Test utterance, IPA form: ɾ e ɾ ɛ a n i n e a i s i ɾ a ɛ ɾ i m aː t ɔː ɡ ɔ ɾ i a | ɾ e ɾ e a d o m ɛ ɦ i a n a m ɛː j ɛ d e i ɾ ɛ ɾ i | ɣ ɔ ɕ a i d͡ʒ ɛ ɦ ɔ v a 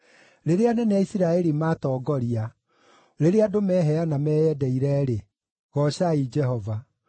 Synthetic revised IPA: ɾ e ɾ e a n ɛ n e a i s i ɾ a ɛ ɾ i m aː t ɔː ɡ ɔ ɾ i a | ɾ e ɾ e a d o m ɛ ɦ ɛ a n a m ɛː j ɛ d ɛ i ɾ ɛ ɾ e | ɣ ɔ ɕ a i d͡ʒ ɛ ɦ ɔ v a